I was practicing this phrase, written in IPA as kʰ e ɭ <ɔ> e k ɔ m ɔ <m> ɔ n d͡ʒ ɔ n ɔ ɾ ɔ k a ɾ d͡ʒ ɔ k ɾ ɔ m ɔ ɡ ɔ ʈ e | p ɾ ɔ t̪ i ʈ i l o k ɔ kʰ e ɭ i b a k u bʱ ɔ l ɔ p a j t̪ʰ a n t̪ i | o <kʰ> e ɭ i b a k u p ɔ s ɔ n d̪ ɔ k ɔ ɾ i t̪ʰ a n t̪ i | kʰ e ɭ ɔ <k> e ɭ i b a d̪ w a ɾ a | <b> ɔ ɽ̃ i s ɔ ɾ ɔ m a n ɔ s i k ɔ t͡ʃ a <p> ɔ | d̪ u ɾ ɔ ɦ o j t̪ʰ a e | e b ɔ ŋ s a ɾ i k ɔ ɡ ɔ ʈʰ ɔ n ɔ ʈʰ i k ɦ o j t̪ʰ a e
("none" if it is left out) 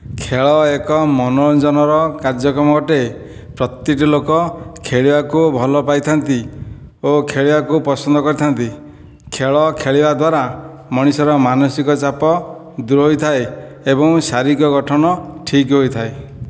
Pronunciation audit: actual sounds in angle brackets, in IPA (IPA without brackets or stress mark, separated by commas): ɔ, n, kʰ, kʰ, m, p